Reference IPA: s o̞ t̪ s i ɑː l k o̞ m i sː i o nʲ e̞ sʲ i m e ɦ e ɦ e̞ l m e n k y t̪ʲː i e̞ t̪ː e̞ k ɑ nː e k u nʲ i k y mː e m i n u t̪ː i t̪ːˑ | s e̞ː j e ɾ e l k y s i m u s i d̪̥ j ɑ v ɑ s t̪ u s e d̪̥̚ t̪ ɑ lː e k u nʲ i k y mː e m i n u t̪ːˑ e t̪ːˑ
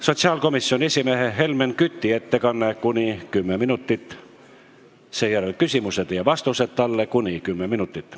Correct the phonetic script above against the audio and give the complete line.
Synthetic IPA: s o̞ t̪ s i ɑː l k o̞ m i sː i o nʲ e̞ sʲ i m e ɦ e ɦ e̞ l m e n k y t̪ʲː i e̞ t̪ː e̞ k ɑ nː e k u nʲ i k y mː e m i n u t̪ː i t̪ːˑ | s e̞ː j æ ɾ e l k y s i m u s e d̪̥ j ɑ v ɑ s t̪ u s e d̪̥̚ t̪ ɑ lː e k u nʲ i k y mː e m i n u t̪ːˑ i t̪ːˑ